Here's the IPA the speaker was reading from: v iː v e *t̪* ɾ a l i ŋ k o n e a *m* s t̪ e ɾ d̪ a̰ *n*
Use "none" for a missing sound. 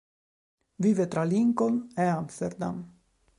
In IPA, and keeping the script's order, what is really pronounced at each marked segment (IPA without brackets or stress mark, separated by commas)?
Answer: t̪, m, m